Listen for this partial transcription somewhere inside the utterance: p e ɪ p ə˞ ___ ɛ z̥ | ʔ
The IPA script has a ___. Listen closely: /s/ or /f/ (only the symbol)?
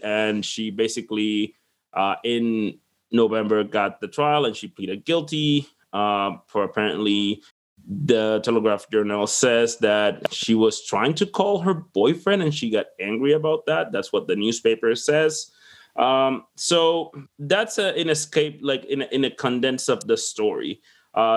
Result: s